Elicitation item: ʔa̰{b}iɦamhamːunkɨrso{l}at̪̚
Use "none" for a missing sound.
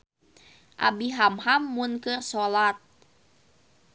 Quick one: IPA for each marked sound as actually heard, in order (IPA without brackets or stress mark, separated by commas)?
b, l